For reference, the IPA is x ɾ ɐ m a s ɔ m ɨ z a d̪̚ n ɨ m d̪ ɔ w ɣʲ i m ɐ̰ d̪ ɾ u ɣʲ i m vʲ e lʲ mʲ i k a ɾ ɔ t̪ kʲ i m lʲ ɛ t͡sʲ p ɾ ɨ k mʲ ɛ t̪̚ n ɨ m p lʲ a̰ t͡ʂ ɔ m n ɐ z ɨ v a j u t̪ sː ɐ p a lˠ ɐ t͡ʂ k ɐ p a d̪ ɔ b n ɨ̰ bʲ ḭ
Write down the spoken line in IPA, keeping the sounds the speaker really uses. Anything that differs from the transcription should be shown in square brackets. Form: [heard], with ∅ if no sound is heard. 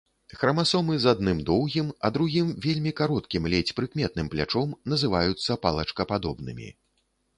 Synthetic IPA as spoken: x ɾ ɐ m a s ɔ m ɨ z a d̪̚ n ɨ m d̪ ɔ w ɣʲ i m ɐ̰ d̪ ɾ u ɣʲ i m vʲ e lʲ mʲ i k a ɾ ɔ t̪ kʲ i m lʲ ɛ t͡sʲ p ɾ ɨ k mʲ ɛ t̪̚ n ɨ m p lʲ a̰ t͡ʂ ɔ m n ɐ z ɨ v a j u t̪ sː ɐ p a lˠ ɐ t͡ʂ k ɐ p a d̪ ɔ b n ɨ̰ [mʲ] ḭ